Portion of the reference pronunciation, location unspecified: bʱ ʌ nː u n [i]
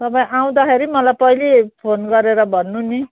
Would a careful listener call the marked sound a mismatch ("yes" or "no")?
no